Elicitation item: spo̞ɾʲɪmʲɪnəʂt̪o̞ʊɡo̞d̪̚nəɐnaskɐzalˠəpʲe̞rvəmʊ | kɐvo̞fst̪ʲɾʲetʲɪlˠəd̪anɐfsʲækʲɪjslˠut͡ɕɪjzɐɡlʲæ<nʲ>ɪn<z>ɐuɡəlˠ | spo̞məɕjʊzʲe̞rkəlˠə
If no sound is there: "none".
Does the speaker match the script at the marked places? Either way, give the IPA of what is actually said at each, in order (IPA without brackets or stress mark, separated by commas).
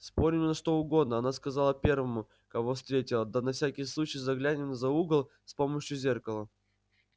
nʲ, z